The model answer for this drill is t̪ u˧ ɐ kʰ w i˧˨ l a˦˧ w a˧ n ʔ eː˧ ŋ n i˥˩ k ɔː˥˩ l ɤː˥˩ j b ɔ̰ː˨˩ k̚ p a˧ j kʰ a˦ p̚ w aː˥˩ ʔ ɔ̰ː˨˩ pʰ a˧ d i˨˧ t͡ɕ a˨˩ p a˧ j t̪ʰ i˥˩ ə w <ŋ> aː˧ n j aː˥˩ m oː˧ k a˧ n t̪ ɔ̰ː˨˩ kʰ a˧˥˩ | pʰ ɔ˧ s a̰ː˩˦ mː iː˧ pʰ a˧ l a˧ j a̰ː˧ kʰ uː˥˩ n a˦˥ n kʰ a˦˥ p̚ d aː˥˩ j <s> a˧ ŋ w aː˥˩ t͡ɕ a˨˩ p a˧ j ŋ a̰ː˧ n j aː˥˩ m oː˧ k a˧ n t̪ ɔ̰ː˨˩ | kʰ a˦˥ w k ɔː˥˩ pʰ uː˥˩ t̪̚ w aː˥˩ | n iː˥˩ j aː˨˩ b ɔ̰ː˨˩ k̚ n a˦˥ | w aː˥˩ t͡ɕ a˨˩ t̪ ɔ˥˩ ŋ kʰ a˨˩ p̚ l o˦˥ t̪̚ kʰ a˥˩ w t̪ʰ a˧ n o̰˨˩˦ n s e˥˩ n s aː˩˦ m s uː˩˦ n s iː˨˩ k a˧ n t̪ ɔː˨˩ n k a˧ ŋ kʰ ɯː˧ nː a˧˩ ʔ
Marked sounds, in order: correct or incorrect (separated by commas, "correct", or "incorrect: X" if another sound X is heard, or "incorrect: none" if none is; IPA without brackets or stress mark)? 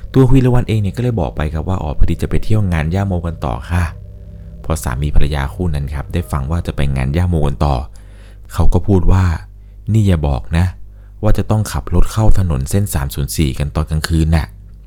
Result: correct, incorrect: f